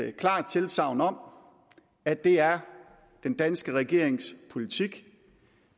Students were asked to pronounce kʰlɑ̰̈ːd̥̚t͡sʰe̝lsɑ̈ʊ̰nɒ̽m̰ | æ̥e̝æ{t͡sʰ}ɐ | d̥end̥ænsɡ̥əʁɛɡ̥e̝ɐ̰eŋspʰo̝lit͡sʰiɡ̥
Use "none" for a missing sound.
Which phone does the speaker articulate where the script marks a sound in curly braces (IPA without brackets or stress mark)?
none